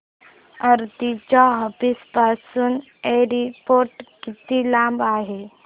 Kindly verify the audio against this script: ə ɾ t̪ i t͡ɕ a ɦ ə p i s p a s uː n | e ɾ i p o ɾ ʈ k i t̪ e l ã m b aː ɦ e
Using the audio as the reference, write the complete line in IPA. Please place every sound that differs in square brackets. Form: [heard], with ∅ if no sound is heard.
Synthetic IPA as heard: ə ɾ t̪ i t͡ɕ a ɦ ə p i s p a s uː n | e ɾ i p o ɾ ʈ k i t̪ [i] l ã m b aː ɦ e